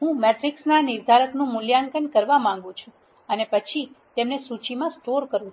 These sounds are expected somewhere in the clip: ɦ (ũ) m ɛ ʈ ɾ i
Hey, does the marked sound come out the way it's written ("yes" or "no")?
yes